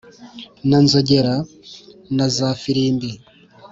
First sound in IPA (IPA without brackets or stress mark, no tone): n